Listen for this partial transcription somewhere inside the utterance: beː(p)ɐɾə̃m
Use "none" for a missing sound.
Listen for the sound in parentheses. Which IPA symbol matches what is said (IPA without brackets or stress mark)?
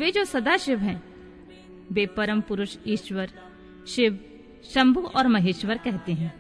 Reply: p